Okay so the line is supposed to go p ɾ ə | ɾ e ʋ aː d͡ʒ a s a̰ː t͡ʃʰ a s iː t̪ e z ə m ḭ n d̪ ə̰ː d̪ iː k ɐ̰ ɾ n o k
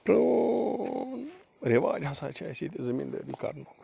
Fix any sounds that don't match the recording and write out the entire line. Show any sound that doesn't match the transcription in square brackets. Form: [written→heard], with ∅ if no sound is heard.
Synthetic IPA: p ɾ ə | ɾ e ʋ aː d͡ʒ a s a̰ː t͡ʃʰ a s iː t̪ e z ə m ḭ n d̪ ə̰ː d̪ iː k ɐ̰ ɾ n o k